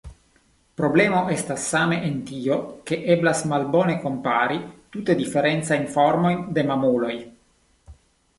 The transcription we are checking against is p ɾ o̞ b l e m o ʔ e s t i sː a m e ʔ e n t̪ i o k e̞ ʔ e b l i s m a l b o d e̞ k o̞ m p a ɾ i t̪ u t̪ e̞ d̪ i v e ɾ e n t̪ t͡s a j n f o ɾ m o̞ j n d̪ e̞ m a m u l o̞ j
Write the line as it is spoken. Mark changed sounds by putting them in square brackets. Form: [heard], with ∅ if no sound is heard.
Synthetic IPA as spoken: p ɾ o̞ b l e m o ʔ e s t [a] sː a m e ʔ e n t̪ i o k e̞ ʔ e b l [a] s m a l b o [n] e̞ k o̞ m p a ɾ i t̪ u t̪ e̞ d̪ i [f] e ɾ e n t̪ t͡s a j n f o ɾ m o̞ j n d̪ e̞ m a m u l o̞ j